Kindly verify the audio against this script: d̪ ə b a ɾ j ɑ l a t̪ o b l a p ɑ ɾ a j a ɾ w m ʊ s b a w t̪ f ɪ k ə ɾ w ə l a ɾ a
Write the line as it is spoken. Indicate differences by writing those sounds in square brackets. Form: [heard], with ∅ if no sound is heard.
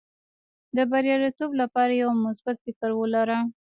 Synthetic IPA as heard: d̪ ə b a ɾ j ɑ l [i] t̪ o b l a p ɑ ɾ a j a [∅] w m ʊ s b a [∅] t̪ f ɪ k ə ɾ w ə l a ɾ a